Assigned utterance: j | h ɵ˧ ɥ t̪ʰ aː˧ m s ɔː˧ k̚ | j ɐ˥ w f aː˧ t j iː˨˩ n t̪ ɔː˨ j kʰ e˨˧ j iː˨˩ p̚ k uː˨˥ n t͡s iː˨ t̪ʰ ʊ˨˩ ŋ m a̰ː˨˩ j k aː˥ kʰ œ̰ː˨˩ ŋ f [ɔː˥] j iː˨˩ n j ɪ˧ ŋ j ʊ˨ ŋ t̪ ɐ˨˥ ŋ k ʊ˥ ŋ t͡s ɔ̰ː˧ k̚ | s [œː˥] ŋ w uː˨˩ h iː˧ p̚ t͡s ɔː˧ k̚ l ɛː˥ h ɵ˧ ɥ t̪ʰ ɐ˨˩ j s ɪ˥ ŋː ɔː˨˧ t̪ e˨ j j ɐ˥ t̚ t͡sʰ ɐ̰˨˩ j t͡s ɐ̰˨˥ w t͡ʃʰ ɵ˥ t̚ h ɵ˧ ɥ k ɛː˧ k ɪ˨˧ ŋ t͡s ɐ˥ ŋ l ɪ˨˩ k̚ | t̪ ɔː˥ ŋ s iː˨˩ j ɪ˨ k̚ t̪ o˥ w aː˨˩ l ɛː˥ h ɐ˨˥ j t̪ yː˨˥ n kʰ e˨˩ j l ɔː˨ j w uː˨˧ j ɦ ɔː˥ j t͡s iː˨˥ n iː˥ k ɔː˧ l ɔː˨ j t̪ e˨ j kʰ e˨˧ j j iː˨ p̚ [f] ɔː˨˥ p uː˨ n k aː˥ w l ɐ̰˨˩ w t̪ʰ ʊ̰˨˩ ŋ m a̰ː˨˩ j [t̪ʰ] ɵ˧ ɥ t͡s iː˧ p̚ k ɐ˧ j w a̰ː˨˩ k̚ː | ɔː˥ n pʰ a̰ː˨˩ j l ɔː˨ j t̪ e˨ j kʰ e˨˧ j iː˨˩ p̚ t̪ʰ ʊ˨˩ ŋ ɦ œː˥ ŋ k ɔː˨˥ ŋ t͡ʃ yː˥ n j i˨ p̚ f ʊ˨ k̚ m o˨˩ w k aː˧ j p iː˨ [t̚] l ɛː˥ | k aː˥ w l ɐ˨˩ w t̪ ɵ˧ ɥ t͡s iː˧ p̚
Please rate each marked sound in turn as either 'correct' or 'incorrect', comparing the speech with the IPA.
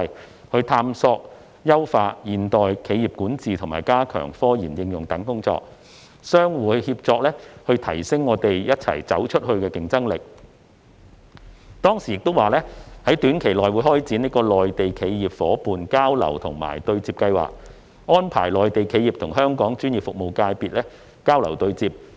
correct, correct, correct, incorrect: t̪, correct

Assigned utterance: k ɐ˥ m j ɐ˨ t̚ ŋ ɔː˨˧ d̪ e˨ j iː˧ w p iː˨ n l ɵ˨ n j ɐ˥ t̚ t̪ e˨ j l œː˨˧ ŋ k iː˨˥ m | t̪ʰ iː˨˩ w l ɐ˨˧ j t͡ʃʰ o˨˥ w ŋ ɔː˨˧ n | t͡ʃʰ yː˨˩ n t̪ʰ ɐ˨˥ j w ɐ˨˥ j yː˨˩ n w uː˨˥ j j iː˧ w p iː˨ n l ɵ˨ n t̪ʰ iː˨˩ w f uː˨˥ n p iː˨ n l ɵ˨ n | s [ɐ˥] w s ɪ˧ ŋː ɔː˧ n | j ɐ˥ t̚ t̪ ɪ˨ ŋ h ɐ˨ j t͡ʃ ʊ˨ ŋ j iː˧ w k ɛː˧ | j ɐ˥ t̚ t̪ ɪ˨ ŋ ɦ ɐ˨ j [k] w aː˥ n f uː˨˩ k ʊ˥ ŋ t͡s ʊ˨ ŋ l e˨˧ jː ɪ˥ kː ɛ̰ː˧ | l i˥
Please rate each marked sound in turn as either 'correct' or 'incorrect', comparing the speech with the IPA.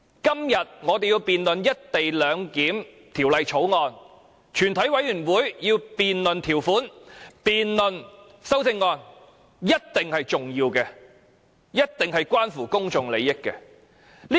correct, correct

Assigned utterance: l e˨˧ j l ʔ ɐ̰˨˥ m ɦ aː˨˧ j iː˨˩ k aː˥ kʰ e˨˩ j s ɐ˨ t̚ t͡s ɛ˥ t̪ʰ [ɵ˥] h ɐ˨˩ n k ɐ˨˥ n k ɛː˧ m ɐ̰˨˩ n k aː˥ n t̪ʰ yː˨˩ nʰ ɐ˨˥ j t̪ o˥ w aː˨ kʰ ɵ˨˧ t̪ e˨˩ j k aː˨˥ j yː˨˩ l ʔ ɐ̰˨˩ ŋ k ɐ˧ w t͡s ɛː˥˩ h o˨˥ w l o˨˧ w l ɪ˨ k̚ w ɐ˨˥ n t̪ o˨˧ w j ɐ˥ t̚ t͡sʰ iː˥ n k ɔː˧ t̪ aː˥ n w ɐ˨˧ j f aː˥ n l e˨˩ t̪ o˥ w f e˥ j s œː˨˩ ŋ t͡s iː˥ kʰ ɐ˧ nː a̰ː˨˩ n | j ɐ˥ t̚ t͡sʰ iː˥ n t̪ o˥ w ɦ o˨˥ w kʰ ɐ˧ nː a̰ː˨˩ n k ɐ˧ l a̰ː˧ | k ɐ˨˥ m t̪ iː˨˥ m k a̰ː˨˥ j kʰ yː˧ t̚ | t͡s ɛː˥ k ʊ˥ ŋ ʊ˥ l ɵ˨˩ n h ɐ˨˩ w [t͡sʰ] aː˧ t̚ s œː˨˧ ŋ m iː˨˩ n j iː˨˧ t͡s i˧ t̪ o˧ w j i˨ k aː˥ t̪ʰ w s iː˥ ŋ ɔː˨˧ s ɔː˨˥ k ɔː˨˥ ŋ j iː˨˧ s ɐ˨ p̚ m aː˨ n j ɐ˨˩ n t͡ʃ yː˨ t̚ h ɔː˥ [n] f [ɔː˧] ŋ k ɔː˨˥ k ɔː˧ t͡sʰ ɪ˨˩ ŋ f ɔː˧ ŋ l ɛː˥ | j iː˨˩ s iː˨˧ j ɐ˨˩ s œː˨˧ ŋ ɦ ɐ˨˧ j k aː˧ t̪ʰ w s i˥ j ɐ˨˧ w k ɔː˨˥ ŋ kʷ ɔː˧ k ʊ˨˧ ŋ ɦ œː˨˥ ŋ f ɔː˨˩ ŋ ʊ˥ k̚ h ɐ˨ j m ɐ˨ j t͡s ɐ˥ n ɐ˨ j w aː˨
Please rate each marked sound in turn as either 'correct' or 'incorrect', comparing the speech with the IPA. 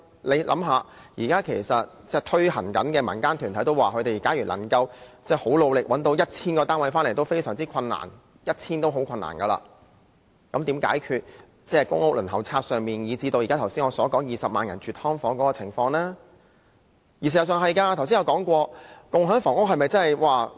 correct, correct, incorrect: ŋ, incorrect: ɔː˨˥

